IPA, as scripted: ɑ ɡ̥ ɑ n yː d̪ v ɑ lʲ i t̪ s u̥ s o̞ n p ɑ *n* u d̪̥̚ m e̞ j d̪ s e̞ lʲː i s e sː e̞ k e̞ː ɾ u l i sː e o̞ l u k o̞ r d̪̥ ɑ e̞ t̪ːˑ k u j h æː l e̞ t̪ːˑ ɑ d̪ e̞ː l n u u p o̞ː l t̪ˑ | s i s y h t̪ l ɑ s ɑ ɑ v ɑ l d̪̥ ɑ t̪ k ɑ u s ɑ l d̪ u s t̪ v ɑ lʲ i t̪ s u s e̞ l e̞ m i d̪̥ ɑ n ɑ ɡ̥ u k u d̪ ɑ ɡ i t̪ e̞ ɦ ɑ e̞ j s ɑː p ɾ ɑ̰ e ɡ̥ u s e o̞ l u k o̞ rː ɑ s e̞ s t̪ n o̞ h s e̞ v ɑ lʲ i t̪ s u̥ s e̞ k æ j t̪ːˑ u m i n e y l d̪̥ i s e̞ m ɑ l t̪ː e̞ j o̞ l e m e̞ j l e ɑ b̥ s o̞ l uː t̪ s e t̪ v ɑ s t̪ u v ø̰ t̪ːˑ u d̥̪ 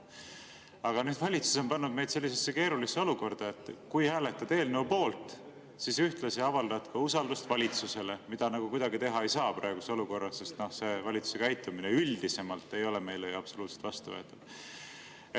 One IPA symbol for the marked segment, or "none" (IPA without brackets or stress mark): nː